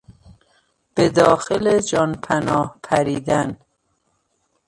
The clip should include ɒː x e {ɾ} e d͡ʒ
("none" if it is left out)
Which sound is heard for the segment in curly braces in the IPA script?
l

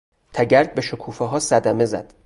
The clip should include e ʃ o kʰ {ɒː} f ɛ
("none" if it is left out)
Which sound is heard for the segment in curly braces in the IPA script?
uː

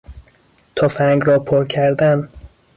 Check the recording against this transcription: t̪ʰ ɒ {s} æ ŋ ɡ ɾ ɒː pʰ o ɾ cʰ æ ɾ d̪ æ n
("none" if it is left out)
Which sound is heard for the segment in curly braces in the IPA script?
f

